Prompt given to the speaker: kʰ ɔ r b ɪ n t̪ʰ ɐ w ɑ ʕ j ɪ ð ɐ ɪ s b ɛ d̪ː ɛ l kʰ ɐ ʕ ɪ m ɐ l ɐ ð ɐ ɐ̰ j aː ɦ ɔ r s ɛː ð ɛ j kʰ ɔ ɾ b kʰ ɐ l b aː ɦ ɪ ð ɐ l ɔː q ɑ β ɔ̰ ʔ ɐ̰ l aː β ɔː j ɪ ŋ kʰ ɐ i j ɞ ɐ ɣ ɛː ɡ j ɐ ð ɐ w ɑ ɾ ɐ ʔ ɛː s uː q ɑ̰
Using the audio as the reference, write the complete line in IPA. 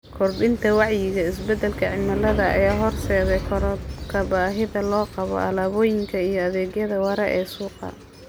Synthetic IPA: kʰ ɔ r b ɪ n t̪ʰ ɐ w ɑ ʕ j ɪ ɣ ɐ ɪ s b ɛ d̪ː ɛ l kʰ ɐ ʕ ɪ m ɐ l ɐ ð ɐ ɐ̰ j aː ɦ ɔ r s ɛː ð ɛ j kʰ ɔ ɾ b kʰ ɐ b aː ɦ ɪ ð ɐ l ɔː q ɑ β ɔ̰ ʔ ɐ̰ l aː β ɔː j ɪ ŋ kʰ ɐ i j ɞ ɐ ð ɛː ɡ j ɐ ð ɐ w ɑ ɾ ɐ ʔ ɛː s uː q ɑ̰

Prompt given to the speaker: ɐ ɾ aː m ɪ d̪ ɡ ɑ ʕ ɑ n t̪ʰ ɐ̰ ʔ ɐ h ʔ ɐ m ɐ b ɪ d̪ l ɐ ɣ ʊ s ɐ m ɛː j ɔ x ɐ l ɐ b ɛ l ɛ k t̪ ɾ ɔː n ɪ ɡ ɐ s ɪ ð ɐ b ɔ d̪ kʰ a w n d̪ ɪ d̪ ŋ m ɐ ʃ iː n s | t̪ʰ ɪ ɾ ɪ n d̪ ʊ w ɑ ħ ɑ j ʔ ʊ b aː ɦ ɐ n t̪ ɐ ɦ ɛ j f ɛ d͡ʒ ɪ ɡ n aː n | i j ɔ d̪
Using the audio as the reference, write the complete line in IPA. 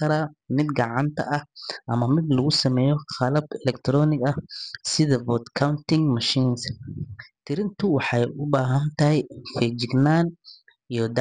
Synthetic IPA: ɐ ɾ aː m ɪ d̪ ɡ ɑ ʕ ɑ n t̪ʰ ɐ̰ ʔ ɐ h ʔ ɐ m ɐ m ɪ d̪ l ɐ ɣ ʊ s ɐ m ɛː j ɔ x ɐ l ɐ b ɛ l ɛ k t̪ ɾ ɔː n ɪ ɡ ɐ s ɪ ð ɐ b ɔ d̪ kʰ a w n t̪ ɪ ŋ m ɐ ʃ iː n s | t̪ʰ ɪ ɾ ɪ n t̪ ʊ w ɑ ħ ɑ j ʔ ʊ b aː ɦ ɐ n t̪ ɐ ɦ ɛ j f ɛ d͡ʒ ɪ ɡ n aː n | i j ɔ d̪

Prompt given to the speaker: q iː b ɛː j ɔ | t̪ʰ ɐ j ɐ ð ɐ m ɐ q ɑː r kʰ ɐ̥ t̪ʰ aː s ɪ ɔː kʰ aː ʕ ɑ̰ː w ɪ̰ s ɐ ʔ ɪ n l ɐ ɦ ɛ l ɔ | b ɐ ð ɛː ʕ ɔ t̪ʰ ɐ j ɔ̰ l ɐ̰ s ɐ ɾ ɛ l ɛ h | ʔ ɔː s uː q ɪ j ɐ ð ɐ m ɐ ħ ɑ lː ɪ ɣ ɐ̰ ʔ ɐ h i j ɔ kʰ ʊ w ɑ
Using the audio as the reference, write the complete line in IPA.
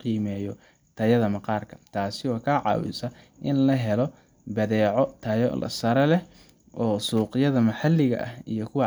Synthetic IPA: q iː m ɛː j ɔ | t̪ʰ ɐ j ɐ ð ɐ m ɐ q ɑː r kʰ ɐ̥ t̪ʰ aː s ɪ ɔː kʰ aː ʕ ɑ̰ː w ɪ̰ s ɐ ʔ ɪ n l ɐ ɦ ɛ l ɔ | b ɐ ð ɛː ʕ ɔ t̪ʰ ɐ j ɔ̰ l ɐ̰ s ɐ ɾ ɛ l ɛ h | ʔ ɔː s uː q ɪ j ɐ ð ɐ m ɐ ħ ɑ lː ɪ ɣ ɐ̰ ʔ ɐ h i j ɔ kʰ ʊ w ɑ

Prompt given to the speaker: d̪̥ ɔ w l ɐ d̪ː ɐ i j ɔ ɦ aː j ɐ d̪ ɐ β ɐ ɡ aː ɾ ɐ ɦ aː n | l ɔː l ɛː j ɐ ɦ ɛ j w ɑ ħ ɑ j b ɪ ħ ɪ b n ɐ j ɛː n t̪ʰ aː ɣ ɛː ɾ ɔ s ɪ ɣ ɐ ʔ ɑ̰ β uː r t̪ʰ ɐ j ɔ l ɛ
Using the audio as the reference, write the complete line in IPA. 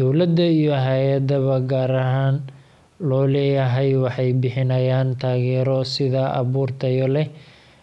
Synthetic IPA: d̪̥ ɔ w l ɐ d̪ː ɐ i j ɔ ɦ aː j ɐ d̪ ɐ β ɐ ɡ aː ɾ ɐ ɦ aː n | l ɔː l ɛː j ɐ ɦ ɛ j w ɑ ħ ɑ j b ɪ ħ ɪ n ɐ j aː n t̪ʰ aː ɣ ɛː ɾ ɔ s ɪ ð ɐ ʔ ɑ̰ β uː r t̪ʰ ɐ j ɔ l ɛ

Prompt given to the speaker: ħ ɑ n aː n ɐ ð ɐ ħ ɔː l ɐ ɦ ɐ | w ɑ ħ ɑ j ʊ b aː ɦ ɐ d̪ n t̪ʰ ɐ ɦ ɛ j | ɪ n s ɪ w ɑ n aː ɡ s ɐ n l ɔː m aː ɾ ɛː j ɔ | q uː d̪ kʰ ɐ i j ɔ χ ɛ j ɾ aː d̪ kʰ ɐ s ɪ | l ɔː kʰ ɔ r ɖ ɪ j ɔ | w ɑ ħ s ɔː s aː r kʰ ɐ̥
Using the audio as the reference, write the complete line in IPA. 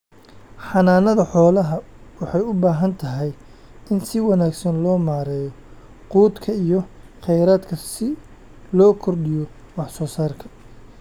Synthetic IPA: ħ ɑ n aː n ɐ ð ɐ ħ ɔː l ɐ ɦ ɐ | w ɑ ħ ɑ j ʊ b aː ɦ ɐ n t̪ʰ ɐ ɦ ɛ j | ɪ n s ɪ w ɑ n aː ɡ s ɐ n l ɔː m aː ɾ ɛː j ɔ | q uː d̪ kʰ ɐ i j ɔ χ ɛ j ɾ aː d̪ kʰ ɐ s ɪ | l ɔː kʰ ɔ r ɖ ɪ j ɔ | w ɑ ħ s ɔː s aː r kʰ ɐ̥

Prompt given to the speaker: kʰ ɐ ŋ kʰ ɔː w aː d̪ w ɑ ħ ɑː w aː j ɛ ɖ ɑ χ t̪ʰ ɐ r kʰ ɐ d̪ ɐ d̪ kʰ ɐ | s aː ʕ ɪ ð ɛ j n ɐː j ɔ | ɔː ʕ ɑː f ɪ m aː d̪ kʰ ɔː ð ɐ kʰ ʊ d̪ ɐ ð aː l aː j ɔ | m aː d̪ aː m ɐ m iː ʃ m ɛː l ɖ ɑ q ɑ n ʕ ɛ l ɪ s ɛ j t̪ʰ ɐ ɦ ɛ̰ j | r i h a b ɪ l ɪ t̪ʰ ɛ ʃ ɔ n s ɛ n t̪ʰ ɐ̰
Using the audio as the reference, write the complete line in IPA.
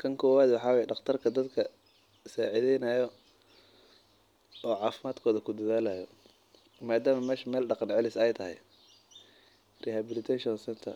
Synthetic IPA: kʰ ɐ ŋ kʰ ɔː w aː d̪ w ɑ ħ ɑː w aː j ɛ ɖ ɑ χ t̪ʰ ɐ r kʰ ɐ d̪ ɐ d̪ kʰ ɐ | s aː ʕ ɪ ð ɛ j n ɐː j ɔ | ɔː ʕ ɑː f ɪ m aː d̪ kʰ ɔː ð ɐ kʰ ʊ d̪ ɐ ð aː l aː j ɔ | m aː d̪ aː m ɐ m ɛː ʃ m ɛː l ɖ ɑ q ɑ n ʕ ɛ l ɪ s ɛ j t̪ʰ ɐ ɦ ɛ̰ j | r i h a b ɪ l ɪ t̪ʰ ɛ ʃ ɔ n s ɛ n t̪ʰ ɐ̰

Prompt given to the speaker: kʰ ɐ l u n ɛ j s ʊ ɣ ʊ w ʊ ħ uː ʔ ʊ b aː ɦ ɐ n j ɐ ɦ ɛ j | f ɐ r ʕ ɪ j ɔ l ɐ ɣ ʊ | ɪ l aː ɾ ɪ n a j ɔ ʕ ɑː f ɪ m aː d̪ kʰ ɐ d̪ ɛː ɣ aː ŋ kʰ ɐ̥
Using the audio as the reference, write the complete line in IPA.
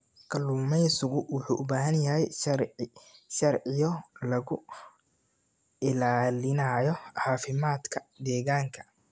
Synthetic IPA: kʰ ɐ l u m ɛ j s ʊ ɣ ʊ w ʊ ħ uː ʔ ʊ b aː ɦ ɐ n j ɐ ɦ ɛ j | ʃ ɐ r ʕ ɪ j ɔ l ɐ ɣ ʊ | ɪ l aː l ɪ n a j ɔ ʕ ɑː f ɪ m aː d̪ kʰ ɐ d̪ ɛː ɣ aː ŋ kʰ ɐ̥

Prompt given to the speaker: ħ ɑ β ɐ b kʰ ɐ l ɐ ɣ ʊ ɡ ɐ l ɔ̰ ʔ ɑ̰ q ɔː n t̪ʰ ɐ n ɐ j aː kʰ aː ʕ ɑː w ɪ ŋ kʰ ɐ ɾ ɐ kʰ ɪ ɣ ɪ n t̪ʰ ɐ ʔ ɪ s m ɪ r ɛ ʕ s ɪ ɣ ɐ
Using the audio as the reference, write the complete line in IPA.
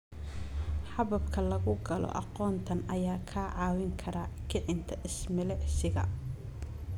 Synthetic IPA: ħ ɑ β ɐ b kʰ ɐ l ɐ ɣ ʊ ɡ ɐ l ɔ̰ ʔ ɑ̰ q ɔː n t̪ʰ ɐ n ɐ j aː kʰ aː ʕ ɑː w ɪ ŋ kʰ ɐ ɾ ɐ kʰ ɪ ʕ ɪ n t̪ʰ ɐ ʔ ɪ s m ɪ l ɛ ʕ s ɪ ɣ ɐ

